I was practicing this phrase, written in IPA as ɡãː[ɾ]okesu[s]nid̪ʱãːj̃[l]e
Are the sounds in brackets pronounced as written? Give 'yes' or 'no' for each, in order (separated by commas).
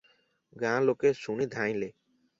no, no, yes